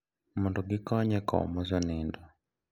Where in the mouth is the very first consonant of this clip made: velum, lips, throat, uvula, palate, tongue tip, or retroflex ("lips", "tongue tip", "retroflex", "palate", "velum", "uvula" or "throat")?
lips